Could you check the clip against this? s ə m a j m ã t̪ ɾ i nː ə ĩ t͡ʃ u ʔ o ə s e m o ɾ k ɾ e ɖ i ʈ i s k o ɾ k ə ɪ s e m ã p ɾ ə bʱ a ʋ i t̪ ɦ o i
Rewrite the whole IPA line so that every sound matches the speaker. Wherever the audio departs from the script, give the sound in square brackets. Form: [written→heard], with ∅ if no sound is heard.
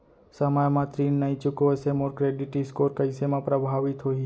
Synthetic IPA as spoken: s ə m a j m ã t̪ ɾ i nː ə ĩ t͡ʃ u [ʔ→k] o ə s e m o ɾ k ɾ e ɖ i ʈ i s k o ɾ k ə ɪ s e m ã p ɾ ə bʱ a ʋ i t̪ ɦ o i